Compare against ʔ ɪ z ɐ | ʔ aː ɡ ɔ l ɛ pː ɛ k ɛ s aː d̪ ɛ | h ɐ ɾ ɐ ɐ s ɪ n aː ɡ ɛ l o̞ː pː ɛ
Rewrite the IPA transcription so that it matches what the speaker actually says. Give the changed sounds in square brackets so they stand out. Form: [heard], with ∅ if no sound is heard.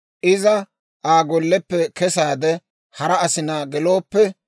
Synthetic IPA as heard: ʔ ɪ z ɐ | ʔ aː ɡ ɔ [lː] ɛ pː ɛ k ɛ s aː d̪ ɛ | h ɐ ɾ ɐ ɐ s ɪ n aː ɡ ɛ l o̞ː pː ɛ